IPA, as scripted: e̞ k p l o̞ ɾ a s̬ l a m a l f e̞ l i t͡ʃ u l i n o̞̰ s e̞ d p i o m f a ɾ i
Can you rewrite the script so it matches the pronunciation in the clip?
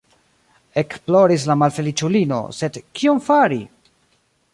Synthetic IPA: e̞ k p l o̞ ɾ i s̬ l a m a l f e̞ l i t͡ʃ u l i n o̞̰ s e̞ d k i o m f a ɾ i

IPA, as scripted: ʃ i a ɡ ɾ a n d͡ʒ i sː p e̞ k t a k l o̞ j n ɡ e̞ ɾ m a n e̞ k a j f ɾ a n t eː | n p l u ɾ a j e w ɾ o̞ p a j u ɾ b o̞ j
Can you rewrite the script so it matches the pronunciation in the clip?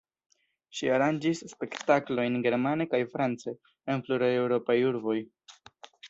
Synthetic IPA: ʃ i a ɾ a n d͡ʒ i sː p e̞ k t a k l o̞ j n ɡ e̞ ɾ m a n e̞ k a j f ɾ a n t͡s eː | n p l u ɾ a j e w ɾ o̞ p a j u ɾ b o̞ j

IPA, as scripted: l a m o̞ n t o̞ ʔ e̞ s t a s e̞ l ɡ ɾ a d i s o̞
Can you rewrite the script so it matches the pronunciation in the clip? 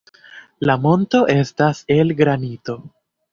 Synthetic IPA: l a m o̞ n t o̞ ʔ e̞ s t a s e̞ l ɡ ɾ a n i t o̞

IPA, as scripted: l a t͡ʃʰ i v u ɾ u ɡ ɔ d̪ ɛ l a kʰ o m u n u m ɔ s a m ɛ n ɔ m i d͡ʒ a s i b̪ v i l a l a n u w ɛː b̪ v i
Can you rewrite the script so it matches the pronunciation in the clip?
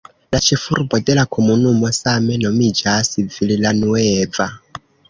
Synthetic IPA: l a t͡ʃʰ i f u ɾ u b ɔ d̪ ɛ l a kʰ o m u n u m ɔ s a m ɛ n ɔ m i d͡ʒ a s i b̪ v i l i l a n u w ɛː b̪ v a

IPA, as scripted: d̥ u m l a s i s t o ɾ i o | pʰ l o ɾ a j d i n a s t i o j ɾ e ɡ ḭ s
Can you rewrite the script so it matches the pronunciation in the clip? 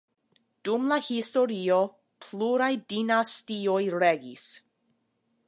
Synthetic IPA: d̥ u m l a h i s t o ɾ i o | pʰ l u ɾ a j d i n a s t i o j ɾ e ɡ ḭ s

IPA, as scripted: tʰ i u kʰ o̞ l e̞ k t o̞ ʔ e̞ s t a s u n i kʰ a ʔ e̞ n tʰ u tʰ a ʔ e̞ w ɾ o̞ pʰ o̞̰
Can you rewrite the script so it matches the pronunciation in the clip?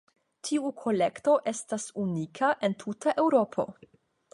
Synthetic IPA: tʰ i u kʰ o̞ l e̞ k t o̞ ʔ e̞ s t a s u n i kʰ a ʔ e̞ n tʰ u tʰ a ʔ e̞ w ɾ o̞ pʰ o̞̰

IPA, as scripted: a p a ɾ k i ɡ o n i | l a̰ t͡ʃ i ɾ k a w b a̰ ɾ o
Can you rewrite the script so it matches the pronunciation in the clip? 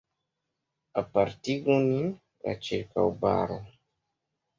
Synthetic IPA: a p a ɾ t i ɡ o n i | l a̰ t͡ʃ i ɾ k a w b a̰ ɾ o

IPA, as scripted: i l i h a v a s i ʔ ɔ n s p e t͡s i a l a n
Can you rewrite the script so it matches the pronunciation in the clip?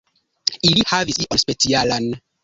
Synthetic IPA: i l i h a v i s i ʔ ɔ n s p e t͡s i a l a n

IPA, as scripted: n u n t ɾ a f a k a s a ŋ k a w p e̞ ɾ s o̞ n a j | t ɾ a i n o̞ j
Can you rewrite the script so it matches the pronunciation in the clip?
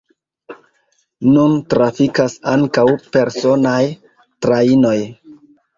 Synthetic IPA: n u n t ɾ a f i k a s a ŋ k a w p e̞ ɾ s o̞ n a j | t ɾ a i n o̞ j

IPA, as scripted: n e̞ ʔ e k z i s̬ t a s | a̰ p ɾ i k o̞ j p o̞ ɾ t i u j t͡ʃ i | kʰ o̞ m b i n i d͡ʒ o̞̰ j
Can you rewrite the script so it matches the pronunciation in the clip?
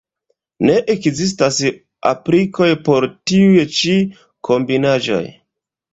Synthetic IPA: n e̞ ʔ e k z i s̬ t a s | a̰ p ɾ i k o̞ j p o̞ ɾ t i u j t͡ʃ i | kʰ o̞ m b i n a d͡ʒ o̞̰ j

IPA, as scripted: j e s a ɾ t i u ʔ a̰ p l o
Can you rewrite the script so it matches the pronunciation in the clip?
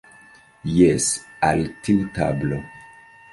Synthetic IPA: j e s a l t i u t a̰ b l o

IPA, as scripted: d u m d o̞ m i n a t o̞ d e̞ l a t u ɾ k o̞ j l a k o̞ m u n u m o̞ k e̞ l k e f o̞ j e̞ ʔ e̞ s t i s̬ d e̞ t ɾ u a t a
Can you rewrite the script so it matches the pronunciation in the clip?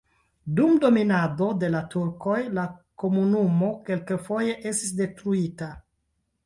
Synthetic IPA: d u m d o̞ m i n a d o̞ d e̞ l a t u ɾ k o̞ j l a k o̞ m u n u m o̞ k e̞ l k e f o̞ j e̞ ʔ e̞ s t i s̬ d e̞ t ɾ u i t a

